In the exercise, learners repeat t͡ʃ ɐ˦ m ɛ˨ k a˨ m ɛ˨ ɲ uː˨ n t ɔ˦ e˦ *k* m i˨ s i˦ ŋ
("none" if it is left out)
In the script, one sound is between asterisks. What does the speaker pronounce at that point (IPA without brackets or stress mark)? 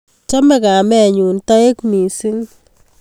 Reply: k